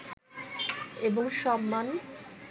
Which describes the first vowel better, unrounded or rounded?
unrounded